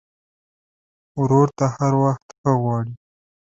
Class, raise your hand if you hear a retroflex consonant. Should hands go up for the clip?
yes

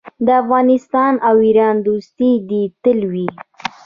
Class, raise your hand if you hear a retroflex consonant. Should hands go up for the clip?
no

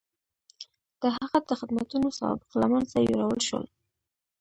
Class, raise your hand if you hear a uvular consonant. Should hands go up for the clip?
yes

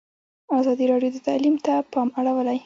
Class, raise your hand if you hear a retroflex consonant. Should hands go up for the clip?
yes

